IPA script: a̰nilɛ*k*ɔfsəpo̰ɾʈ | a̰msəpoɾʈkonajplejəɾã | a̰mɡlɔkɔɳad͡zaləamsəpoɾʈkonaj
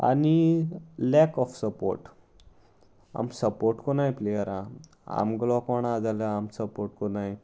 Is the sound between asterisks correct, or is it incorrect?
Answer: correct